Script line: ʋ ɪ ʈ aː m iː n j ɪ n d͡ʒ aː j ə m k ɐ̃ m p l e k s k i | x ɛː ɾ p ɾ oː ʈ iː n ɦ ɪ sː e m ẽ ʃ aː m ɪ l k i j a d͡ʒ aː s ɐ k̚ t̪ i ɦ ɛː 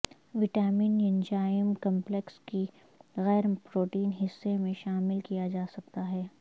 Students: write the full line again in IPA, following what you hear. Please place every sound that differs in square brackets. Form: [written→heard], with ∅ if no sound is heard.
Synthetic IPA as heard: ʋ ɪ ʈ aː m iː n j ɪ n d͡ʒ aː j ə m k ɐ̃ m p l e k s k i | [x→ɣ] ɛː ɾ p ɾ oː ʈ iː n ɦ ɪ sː e m ẽ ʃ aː m ɪ l k i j a d͡ʒ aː s ɐ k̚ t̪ [i→a] ɦ ɛː